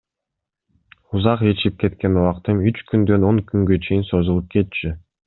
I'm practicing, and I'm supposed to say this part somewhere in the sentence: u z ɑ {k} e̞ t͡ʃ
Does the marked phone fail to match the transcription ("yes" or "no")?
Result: yes